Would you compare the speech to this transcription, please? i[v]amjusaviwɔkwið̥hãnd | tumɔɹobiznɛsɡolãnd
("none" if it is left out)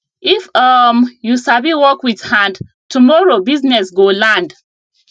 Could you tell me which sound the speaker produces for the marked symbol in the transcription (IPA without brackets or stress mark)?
f